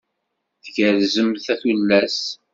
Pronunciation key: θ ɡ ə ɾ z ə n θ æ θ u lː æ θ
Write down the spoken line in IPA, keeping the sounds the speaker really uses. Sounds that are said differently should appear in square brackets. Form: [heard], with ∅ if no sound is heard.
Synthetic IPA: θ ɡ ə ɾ z ə [m] θ æ θ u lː æ [s]